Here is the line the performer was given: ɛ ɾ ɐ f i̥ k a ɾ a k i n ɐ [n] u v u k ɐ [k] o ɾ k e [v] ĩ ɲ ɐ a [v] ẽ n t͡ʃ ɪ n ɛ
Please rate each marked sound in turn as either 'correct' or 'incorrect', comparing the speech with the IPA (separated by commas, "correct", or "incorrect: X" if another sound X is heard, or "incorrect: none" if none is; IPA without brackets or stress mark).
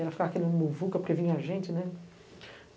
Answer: incorrect: m, incorrect: p, correct, incorrect: ʒ